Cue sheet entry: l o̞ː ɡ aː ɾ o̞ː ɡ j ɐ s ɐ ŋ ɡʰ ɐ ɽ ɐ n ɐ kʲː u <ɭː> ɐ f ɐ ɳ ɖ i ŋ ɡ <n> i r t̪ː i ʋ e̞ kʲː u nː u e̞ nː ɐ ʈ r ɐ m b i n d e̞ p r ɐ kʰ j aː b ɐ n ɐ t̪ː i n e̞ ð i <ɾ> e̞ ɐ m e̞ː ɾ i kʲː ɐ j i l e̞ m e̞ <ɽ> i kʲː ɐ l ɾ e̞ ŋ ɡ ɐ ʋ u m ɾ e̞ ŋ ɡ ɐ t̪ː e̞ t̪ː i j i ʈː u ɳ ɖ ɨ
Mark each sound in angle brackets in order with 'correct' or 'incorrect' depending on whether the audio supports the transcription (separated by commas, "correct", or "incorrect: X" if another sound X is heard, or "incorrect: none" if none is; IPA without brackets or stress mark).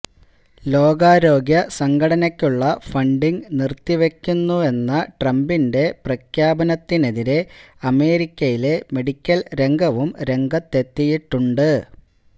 correct, correct, correct, correct